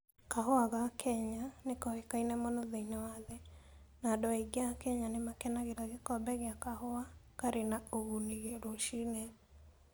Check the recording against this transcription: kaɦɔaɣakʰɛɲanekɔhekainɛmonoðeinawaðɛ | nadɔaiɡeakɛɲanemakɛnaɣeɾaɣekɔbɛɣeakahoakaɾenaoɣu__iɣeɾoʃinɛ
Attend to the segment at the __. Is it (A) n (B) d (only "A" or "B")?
A